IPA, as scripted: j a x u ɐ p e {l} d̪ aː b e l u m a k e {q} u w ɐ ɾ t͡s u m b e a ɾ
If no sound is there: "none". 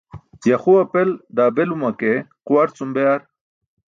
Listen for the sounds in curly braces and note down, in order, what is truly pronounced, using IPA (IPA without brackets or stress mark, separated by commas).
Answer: l, q